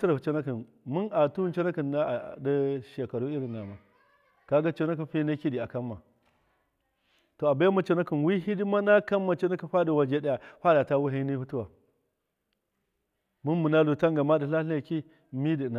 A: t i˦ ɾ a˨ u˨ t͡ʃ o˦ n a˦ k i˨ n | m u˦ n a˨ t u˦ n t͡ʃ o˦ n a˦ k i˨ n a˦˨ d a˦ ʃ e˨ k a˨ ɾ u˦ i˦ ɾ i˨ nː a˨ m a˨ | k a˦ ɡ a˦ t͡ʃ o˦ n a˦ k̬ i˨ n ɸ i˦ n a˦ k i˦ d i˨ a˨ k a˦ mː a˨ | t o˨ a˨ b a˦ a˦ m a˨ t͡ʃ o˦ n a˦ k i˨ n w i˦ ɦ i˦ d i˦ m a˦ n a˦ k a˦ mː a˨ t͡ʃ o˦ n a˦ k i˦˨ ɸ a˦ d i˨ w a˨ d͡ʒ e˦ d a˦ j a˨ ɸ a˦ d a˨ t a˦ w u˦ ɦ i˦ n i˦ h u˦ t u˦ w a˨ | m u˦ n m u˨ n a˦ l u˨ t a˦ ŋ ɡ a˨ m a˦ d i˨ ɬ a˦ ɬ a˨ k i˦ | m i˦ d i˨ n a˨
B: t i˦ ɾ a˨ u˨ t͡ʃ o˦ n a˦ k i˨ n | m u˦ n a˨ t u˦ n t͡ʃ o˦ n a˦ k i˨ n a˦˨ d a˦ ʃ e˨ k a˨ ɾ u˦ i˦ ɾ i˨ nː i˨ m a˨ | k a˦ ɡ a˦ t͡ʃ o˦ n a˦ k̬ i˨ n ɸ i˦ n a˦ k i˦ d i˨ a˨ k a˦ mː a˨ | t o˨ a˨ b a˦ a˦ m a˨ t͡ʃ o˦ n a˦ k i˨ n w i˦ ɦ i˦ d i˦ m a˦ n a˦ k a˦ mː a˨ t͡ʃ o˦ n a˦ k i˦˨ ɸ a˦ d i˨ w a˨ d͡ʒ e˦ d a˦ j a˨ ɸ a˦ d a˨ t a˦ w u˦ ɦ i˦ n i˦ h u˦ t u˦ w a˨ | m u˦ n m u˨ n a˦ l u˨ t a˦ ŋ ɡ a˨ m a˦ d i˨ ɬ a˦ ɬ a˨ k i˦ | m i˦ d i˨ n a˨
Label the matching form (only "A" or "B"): A